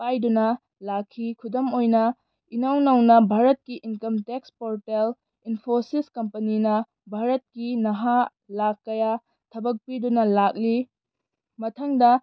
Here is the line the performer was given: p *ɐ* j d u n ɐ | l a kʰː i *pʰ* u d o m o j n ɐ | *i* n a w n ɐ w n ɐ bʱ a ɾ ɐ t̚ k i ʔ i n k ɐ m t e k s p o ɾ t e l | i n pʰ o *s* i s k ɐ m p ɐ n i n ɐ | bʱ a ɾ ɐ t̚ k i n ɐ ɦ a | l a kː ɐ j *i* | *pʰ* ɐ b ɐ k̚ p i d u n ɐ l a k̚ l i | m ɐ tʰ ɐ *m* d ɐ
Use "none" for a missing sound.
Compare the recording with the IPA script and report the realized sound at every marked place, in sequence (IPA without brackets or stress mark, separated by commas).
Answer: a, kʰ, i, s, a, tʰ, ŋ